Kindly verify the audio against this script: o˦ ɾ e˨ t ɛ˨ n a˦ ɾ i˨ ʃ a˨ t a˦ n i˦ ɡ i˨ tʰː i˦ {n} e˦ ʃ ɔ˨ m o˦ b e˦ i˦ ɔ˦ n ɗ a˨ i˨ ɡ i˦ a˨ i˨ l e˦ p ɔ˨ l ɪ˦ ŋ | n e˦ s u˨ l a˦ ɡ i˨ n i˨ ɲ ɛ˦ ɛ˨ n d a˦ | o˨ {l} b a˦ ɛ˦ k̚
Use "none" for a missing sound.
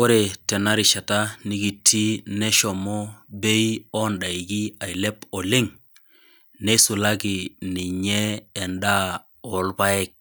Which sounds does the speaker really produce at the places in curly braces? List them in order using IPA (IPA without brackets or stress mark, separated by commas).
n, l